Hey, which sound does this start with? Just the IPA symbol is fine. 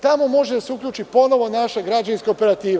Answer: t̪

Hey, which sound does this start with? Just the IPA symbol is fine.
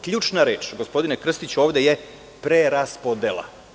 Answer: k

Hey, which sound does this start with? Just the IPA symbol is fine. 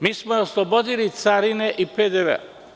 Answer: m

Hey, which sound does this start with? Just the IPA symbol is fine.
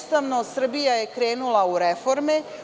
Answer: s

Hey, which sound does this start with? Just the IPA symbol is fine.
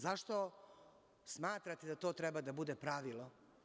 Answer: z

